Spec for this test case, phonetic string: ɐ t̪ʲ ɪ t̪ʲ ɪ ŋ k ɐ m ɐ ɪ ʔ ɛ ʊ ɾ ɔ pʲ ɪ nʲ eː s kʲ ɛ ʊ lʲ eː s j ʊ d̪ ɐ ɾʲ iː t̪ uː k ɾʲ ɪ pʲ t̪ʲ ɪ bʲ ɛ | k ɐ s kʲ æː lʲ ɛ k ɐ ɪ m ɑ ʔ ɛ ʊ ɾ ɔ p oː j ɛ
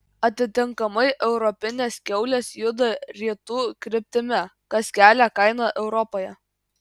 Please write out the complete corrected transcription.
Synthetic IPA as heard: ɐ t̪ʲ ɪ t̪ʲ ɪ ŋ k ɐ m ɐ ɪ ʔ ɛ ʊ ɾ ɔ pʲ ɪ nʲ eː s kʲ ɛ ʊ lʲ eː s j ʊ d̪ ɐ ɾʲ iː t̪ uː k ɾʲ ɪ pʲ t̪ʲ ɪ mʲ ɛ | k ɐ s kʲ æː lʲ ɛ k ɐ ɪ n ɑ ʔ ɛ ʊ ɾ ɔ p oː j ɛ